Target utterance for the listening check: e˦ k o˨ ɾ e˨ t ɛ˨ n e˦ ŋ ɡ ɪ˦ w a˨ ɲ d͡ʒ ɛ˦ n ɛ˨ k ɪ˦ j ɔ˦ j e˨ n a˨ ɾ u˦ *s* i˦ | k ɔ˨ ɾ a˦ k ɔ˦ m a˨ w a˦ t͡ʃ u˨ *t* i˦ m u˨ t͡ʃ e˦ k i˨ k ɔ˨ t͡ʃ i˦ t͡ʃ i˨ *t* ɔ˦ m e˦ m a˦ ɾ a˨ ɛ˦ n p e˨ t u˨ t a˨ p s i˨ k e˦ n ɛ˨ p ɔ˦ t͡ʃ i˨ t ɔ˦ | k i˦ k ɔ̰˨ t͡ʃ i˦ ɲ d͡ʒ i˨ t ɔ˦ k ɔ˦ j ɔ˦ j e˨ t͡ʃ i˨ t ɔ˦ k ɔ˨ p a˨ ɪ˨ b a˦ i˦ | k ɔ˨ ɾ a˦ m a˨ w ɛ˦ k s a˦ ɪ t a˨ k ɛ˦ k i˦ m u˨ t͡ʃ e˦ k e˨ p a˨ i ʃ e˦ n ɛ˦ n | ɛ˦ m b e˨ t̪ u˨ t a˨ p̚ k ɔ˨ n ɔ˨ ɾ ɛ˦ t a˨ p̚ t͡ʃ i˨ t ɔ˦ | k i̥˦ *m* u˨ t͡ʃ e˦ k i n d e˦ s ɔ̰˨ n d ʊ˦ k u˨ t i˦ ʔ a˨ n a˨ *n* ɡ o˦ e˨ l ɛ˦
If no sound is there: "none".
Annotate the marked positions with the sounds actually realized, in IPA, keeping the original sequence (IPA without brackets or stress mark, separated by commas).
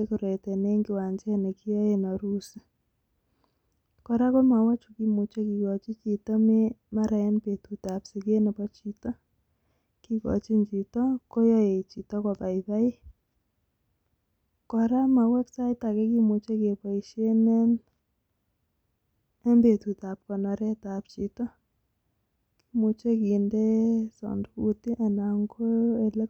s, k, t, m, ŋ